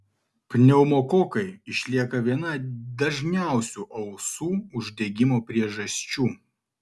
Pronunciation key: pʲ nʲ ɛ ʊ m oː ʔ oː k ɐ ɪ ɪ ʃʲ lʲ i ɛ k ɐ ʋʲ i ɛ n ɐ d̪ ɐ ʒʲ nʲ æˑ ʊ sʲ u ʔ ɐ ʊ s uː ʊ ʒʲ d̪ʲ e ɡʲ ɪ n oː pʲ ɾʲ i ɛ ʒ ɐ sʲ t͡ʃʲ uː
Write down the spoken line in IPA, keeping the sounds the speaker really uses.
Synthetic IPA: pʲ nʲ ɛ ʊ m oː k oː k ɐ ɪ ɪ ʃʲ lʲ i ɛ k ɐ ʋʲ i ɛ n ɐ d̪ ɐ ʒʲ nʲ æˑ ʊ sʲ u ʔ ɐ ʊ s uː ʊ ʒʲ d̪ʲ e ɡʲ ɪ m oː pʲ ɾʲ i ɛ ʒ ɐ sʲ t͡ʃʲ uː